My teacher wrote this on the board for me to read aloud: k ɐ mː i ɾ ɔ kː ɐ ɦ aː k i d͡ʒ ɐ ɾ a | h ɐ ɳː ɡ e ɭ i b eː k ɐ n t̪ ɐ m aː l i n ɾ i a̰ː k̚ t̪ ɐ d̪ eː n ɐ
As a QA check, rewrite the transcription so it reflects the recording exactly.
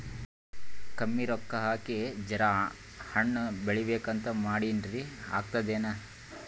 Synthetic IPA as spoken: k ɐ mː i ɾ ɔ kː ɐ ɦ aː k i d͡ʒ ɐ ɾ a | h ɐ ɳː b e ɭ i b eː k ɐ n t̪ ɐ m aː ɽ i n ɾ i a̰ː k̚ t̪ ɐ d̪ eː n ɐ